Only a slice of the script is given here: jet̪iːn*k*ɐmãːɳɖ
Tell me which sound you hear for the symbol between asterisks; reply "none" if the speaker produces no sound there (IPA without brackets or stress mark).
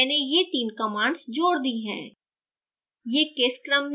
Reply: k